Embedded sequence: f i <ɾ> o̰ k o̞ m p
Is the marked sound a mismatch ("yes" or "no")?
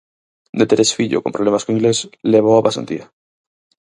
yes